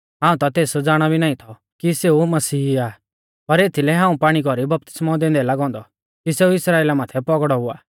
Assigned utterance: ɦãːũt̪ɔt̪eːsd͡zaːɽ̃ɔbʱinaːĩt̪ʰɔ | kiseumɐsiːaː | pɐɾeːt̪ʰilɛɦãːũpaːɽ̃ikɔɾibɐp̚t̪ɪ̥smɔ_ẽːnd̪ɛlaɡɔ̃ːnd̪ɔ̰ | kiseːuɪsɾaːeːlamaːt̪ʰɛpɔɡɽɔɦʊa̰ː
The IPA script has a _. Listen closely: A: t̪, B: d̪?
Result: B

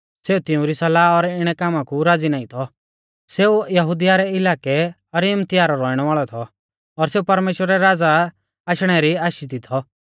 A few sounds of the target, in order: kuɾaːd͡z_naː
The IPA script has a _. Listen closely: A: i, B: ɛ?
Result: A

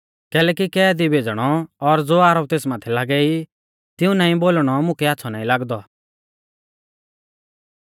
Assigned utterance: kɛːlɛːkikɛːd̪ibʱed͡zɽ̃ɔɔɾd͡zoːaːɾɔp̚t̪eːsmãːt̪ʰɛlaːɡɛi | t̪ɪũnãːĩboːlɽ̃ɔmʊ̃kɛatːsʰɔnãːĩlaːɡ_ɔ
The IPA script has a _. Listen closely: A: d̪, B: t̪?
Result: A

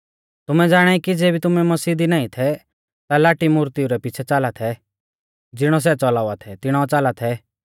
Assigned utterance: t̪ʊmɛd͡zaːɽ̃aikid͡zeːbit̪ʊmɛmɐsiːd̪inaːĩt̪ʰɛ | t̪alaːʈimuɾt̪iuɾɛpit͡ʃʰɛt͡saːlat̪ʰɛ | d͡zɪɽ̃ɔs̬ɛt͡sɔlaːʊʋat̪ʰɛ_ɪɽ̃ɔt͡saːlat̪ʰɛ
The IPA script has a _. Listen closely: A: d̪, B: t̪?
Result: B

